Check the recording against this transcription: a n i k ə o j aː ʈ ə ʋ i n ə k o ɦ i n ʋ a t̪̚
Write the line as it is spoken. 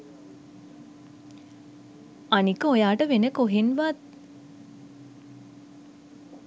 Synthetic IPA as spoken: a n i k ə o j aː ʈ ə ʋ e n ə k o ɦ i n ʋ a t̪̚